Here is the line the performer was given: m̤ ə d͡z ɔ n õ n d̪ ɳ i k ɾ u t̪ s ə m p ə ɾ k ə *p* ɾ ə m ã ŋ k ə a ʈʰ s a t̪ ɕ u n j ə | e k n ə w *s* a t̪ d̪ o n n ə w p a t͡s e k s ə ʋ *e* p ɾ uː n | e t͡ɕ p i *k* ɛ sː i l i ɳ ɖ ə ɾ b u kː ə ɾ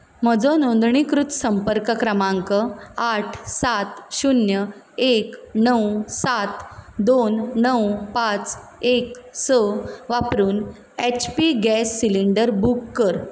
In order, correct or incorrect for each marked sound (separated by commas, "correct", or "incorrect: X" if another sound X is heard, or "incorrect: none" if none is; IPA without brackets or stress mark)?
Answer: incorrect: k, correct, incorrect: a, incorrect: ɡ